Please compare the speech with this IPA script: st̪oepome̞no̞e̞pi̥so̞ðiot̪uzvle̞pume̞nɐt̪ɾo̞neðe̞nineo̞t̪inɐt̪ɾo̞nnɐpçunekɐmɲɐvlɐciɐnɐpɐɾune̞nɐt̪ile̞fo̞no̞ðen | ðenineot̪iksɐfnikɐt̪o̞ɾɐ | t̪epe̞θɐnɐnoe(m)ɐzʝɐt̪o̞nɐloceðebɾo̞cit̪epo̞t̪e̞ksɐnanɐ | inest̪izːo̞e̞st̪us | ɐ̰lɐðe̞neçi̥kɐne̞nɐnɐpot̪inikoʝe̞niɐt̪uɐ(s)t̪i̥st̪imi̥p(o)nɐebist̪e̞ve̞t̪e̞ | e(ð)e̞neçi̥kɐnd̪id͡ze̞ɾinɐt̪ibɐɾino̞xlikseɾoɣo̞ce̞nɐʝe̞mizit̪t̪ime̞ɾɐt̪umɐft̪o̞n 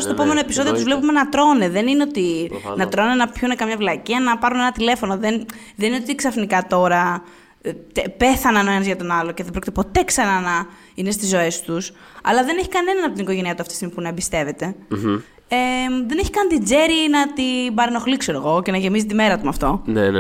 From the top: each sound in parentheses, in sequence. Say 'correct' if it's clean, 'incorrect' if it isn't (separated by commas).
incorrect, incorrect, incorrect, correct